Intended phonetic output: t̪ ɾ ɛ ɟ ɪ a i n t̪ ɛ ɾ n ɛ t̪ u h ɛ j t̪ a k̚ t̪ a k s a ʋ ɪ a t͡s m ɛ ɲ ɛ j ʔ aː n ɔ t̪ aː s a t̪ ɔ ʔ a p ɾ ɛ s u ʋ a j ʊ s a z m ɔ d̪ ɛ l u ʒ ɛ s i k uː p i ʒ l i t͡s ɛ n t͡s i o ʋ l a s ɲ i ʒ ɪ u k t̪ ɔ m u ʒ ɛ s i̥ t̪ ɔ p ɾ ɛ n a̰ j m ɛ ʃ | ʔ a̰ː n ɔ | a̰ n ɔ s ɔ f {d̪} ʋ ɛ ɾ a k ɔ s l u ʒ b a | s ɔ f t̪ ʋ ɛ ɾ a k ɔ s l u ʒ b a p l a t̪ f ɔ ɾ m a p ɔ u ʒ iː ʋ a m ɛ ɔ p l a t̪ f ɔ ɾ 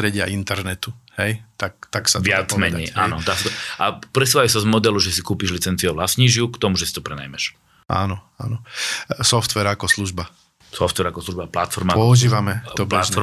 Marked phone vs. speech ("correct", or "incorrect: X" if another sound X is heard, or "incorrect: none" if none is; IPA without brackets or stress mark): incorrect: t̪